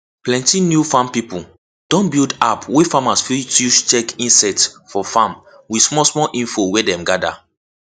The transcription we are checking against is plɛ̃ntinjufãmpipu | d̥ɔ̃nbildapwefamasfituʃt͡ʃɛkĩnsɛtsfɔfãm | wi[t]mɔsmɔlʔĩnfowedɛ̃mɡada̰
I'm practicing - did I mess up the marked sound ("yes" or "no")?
yes